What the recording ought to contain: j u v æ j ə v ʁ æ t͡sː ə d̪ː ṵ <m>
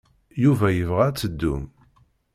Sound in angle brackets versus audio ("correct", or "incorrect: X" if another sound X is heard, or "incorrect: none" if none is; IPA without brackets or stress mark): correct